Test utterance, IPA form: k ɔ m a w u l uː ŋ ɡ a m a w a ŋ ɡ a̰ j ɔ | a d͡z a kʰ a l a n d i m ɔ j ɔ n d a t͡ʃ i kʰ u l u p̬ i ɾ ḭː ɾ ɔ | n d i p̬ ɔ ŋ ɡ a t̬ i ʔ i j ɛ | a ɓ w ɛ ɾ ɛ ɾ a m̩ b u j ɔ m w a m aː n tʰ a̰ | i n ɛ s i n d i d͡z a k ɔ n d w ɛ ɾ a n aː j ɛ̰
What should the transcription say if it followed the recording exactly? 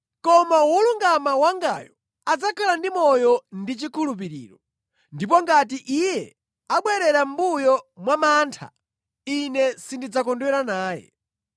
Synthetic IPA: k ɔ m a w u l u ŋ ɡ a m a w a ŋ ɡ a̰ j ɔ | a d͡z a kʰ a l a n d i m ɔ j ɔ n d i t͡ʃ i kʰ u l u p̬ i ɾ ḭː ɾ ɔ | n d i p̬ ɔ ŋ ɡ a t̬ i ʔ i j ɛ | a ɓ w ɛ ɾ ɛ ɾ a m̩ b u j ɔ m w a m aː n tʰ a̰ | i n ɛ s i n d i d͡z a k ɔ n d w ɛ ɾ a n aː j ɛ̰